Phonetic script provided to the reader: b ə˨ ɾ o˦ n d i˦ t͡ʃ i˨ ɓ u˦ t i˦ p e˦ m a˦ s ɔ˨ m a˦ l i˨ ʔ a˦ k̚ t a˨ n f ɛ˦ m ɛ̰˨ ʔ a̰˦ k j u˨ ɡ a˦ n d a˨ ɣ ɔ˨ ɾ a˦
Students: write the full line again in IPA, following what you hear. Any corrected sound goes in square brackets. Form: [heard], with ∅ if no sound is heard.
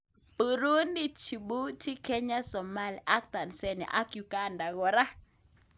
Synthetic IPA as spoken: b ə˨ ɾ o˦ n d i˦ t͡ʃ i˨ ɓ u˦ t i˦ [k] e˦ [ɲ] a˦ s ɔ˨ m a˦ l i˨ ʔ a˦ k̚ t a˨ n [s] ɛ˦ [n] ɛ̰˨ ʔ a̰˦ k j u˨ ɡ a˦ n d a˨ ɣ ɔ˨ ɾ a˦